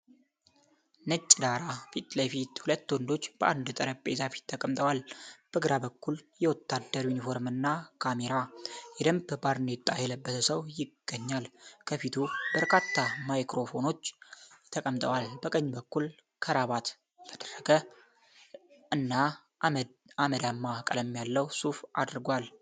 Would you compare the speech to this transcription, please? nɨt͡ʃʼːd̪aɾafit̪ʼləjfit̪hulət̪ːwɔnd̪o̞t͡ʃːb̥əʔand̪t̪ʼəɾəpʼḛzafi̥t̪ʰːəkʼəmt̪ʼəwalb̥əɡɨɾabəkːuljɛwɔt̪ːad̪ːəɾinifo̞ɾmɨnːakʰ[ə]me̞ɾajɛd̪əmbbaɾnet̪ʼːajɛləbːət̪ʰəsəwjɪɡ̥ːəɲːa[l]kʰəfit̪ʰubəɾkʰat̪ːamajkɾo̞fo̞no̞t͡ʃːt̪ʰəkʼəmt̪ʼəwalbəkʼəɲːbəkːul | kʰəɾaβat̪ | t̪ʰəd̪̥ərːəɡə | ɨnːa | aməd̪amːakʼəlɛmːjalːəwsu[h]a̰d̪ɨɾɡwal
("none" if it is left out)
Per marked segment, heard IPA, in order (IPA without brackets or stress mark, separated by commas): a, l, f